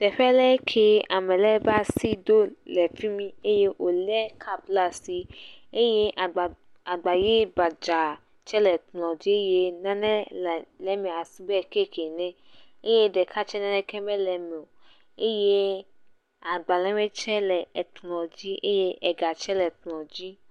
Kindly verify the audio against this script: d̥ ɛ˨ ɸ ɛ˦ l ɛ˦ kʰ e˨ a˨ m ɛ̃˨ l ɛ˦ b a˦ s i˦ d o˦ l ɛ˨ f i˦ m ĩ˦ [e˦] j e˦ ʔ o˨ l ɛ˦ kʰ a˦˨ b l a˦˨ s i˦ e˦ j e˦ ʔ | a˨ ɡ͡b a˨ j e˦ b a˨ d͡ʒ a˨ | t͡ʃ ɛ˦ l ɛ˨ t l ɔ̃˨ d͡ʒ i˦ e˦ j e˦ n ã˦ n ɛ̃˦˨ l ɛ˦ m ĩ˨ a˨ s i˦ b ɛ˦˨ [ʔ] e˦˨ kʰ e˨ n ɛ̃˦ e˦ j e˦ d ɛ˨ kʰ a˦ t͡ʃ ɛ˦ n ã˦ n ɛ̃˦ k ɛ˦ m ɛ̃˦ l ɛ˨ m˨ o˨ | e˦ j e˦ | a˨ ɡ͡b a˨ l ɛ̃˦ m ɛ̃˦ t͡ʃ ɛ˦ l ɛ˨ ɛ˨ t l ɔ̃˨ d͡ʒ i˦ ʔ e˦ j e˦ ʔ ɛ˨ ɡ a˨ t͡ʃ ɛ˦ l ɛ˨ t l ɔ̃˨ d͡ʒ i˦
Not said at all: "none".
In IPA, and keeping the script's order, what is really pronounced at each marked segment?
e˦, k

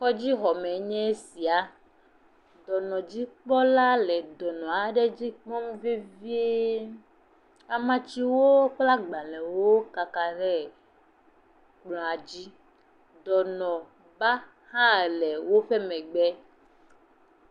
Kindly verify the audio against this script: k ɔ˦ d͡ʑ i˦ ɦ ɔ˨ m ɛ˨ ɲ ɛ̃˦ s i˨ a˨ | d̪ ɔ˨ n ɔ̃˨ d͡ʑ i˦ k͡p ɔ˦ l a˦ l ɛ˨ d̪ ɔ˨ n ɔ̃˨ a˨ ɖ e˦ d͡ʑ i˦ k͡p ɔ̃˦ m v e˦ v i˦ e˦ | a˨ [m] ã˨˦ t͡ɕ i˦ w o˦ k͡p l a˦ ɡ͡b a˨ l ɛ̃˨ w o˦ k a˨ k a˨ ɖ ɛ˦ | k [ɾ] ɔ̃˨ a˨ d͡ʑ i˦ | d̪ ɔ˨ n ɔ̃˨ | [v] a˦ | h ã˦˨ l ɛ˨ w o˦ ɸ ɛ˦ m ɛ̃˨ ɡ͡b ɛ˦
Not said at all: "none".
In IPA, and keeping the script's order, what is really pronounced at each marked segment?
m, l, b

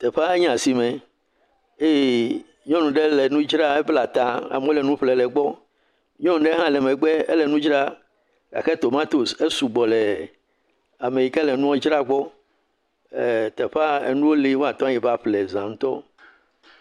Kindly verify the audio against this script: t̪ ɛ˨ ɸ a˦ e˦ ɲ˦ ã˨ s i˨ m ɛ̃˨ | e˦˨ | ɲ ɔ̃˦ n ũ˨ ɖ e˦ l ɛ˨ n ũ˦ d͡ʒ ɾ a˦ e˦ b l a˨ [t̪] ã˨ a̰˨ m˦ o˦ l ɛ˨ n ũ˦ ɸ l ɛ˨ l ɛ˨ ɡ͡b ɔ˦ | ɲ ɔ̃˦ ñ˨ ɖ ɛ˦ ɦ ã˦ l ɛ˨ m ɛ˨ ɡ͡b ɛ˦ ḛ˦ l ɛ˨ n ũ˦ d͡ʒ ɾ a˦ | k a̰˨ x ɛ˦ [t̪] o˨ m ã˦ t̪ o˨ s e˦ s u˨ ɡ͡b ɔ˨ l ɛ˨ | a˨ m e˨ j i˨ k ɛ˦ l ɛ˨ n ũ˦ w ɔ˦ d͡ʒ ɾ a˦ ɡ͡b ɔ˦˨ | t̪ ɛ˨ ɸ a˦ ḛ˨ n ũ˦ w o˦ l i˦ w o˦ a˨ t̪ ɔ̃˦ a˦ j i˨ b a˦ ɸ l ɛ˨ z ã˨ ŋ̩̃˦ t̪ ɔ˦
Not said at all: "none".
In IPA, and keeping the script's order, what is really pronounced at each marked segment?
t̪, t̪

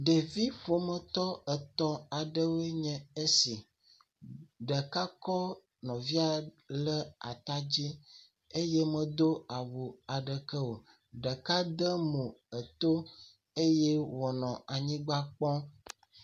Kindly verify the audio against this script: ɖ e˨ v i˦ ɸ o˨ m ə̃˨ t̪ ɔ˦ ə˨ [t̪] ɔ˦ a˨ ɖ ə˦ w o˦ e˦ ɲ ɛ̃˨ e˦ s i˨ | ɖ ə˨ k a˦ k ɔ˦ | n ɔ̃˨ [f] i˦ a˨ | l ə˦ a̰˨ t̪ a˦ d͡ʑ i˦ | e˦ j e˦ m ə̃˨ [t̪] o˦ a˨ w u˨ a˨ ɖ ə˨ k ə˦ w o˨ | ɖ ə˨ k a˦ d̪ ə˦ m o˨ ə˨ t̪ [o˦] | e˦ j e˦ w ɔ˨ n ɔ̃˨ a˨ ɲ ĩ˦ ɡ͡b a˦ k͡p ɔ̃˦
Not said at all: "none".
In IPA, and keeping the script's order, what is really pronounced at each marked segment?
t̪, v, d̪, o˦

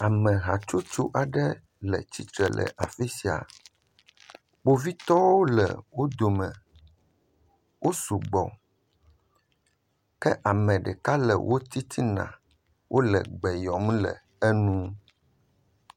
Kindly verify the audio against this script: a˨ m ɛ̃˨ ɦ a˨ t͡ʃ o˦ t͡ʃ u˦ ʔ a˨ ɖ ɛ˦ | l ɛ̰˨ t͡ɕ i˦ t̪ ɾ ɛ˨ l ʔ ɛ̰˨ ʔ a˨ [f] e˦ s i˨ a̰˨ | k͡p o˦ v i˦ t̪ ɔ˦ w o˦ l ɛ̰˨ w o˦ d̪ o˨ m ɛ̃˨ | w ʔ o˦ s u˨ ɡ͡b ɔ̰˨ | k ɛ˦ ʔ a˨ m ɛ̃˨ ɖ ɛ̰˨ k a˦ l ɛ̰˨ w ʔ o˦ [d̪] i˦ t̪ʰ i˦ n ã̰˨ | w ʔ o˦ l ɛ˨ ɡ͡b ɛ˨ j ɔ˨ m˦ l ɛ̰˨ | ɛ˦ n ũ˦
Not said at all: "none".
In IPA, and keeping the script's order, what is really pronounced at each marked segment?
f, t̪

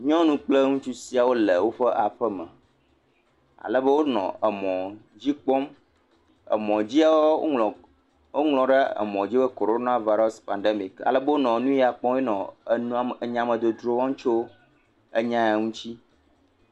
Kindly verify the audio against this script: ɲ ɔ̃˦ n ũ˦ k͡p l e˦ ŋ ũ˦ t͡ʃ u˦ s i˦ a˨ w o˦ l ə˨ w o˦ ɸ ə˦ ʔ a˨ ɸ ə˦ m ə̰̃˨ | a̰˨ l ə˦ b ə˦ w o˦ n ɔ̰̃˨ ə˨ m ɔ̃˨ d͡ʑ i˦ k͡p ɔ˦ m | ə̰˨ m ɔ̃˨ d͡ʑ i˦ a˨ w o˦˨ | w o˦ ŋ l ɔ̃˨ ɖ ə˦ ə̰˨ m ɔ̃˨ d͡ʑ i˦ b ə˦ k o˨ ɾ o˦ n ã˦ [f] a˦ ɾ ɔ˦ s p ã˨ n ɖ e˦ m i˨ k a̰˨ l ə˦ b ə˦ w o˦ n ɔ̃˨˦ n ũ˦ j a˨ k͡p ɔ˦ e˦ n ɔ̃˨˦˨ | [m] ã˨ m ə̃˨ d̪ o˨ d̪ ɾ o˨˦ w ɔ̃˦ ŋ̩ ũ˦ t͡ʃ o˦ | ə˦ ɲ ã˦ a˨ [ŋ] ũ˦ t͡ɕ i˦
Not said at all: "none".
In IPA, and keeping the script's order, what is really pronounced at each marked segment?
v, ɲ, ŋ

